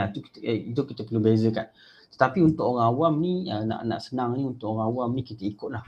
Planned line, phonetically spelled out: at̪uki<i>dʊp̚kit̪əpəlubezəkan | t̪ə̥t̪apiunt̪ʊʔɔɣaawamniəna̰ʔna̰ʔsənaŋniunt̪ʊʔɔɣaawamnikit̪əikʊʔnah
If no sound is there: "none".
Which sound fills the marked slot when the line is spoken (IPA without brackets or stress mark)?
i